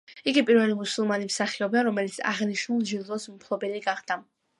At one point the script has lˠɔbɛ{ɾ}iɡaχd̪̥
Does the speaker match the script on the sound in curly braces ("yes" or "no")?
no